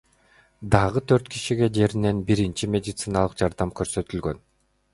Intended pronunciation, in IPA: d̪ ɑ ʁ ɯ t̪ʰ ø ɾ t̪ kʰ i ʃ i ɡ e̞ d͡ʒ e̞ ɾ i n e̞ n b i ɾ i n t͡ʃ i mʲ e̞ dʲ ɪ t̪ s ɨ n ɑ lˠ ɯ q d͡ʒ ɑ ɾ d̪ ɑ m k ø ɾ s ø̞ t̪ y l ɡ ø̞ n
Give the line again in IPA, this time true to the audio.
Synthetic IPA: d̪ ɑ ʁ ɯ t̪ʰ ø ɾ t̪ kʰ i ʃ i ɡ e̞ d͡ʒ e̞ ɾ i n e̞ n b i ɾ i n t͡ʃ i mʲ e̞ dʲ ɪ t̪ s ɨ n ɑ lˠ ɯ q d͡ʒ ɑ ɾ d̪ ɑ m k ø ɾ s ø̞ t̪ y l ɡ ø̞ n